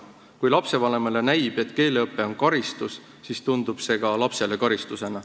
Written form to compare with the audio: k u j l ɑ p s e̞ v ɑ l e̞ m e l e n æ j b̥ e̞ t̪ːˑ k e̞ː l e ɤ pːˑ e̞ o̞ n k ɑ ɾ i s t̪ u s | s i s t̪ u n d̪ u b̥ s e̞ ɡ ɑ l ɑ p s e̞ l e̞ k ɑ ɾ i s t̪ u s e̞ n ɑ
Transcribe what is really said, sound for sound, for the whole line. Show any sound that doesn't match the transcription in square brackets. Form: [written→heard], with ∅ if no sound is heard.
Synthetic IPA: k u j l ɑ p s e̞ v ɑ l e̞ m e l e n æ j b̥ e̞ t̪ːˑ k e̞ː l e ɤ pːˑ e̞ o̞ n k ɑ ɾ i s t̪ u s | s i s t̪ u n d̪ u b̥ s e̞ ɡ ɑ l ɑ p s e̞ l e̞ k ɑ ɾ i s t̪ u s e̞ n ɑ